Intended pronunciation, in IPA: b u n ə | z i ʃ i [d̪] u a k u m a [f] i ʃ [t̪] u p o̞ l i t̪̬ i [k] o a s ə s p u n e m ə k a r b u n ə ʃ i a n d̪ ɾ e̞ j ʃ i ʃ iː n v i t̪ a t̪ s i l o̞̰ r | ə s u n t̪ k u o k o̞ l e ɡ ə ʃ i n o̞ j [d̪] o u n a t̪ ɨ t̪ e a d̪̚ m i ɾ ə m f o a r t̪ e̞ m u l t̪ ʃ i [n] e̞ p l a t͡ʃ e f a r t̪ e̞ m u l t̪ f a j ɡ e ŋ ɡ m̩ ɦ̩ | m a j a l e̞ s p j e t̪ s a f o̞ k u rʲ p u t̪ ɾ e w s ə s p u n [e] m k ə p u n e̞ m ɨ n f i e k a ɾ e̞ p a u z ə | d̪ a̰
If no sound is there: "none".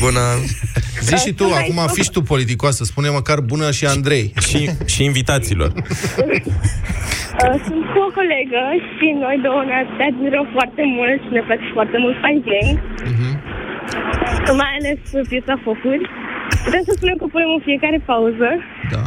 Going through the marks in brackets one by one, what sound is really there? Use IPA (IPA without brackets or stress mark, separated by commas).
t̪, f, t̪, k, d̪, n, e